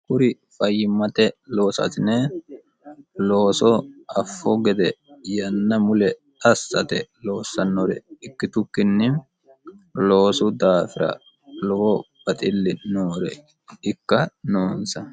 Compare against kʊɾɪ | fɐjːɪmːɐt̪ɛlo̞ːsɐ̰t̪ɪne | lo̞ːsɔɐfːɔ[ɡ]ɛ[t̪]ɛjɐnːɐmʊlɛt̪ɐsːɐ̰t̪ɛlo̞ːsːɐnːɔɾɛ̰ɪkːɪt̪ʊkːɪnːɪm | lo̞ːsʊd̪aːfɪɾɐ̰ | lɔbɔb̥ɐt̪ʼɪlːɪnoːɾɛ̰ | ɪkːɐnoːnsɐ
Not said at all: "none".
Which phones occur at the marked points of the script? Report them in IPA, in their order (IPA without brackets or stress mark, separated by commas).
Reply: ɡ, d̪